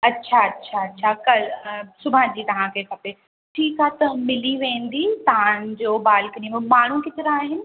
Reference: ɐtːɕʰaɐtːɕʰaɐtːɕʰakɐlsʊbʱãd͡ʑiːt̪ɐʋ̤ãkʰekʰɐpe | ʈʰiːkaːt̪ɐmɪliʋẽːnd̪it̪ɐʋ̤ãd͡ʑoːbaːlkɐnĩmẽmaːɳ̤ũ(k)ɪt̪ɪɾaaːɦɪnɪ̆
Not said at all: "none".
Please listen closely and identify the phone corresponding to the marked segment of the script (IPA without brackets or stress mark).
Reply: k